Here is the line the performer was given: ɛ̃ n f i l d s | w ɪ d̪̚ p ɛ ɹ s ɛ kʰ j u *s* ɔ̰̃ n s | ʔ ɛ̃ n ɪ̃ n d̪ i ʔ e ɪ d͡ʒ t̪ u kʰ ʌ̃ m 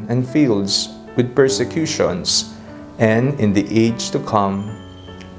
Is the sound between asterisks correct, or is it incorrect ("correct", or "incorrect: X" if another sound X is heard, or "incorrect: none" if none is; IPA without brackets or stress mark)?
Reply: incorrect: ʃ